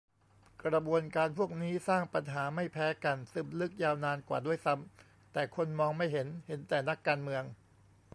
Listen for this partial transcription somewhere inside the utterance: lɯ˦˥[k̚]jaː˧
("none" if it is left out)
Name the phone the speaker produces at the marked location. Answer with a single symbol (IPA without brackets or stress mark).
k̚